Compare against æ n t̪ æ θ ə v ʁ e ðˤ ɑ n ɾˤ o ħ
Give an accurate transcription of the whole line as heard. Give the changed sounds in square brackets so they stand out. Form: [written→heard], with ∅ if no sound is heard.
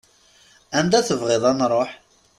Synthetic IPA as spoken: æ n [t̪→d̪] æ θ ə v ʁ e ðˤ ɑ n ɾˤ o ħ